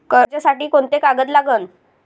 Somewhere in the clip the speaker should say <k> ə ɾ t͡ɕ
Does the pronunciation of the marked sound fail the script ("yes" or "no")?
no